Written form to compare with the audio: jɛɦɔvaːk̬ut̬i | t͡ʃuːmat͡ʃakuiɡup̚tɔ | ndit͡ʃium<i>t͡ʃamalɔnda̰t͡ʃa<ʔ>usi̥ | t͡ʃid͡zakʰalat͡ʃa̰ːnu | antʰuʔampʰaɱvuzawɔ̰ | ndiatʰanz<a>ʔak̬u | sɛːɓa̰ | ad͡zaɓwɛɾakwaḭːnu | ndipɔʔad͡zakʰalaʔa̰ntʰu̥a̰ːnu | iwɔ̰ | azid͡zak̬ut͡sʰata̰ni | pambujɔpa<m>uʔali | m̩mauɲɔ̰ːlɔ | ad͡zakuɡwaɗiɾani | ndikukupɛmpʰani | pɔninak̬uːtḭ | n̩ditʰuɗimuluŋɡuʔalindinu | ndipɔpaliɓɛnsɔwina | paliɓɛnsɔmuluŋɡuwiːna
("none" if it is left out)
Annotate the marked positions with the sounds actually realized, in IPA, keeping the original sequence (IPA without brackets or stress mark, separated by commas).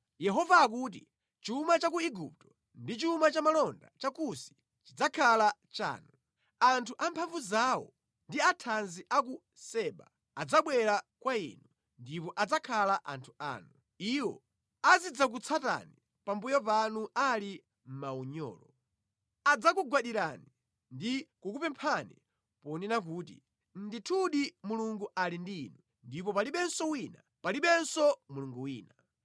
a, k, i, n